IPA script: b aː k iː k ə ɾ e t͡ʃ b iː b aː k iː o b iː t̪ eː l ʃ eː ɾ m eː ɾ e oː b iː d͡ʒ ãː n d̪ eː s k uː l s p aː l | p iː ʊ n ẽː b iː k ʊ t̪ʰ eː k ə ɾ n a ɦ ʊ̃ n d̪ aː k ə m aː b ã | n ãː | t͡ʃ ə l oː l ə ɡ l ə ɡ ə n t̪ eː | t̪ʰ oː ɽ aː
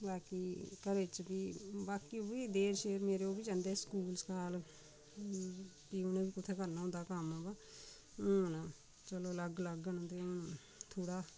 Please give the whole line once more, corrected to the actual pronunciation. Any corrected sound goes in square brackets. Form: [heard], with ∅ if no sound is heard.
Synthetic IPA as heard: b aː k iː k ə ɾ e t͡ʃ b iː b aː k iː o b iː [d̪] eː [ɾ] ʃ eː ɾ m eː ɾ e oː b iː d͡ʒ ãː n d̪ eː s k uː l s [k] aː l | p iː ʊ n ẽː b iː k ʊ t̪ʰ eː k ə ɾ n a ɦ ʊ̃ n d̪ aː k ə m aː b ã | n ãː | t͡ʃ ə l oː l ə ɡ l ə ɡ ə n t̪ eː | t̪ʰ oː ɽ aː